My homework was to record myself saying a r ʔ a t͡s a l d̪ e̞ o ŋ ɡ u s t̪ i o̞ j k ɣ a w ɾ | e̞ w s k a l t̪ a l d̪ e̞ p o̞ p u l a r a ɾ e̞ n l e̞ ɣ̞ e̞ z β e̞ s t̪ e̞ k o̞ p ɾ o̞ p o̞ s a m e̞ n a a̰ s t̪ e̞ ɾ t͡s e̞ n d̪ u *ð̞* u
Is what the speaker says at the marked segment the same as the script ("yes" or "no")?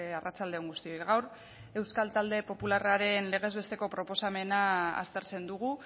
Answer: no